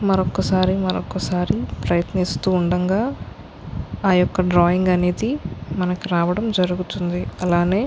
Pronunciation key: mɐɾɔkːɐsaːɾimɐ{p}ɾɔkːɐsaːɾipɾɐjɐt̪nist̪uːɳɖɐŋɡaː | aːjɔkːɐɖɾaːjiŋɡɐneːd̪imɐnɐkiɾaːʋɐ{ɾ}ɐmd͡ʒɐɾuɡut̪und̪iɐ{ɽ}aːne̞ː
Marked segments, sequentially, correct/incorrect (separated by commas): incorrect, incorrect, incorrect